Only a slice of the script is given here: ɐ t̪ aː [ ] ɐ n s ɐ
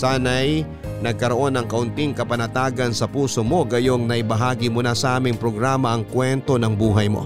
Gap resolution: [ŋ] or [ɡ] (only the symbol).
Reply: ɡ